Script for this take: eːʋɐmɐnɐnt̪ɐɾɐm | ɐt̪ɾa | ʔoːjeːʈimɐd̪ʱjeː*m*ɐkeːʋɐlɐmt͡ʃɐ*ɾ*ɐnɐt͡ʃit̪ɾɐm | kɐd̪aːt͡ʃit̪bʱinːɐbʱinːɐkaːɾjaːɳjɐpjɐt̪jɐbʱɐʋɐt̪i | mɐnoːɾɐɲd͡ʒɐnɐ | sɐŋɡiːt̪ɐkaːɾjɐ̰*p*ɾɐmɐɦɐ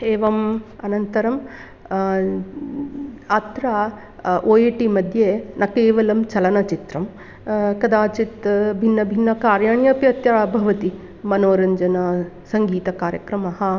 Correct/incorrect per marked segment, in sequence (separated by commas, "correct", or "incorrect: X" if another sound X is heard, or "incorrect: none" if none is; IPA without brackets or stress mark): incorrect: n, incorrect: l, incorrect: k